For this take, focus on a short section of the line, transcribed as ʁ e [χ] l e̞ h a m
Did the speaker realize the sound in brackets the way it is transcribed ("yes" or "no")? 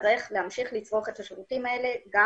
yes